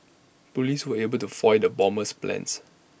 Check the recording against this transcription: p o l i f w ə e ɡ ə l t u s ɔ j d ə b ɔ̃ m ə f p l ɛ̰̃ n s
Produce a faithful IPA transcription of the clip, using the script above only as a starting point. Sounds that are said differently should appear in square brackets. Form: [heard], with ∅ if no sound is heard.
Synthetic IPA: p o l i [s] w ə e [b] ə l t u [f] ɔ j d ə b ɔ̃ m ə [s] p l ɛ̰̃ n s